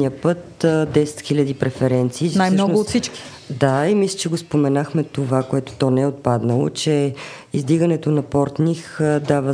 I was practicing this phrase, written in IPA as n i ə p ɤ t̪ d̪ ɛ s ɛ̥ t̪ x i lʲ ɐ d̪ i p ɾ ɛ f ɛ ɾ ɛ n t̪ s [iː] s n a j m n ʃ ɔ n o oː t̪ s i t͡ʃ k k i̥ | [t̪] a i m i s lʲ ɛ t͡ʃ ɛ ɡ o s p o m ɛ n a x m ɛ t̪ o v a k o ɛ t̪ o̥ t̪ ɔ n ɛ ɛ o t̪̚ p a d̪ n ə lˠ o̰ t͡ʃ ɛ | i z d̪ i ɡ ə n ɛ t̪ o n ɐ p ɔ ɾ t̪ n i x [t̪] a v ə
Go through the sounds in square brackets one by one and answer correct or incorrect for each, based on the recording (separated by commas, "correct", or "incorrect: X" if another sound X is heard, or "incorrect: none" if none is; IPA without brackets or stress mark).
correct, incorrect: d̪, incorrect: d̪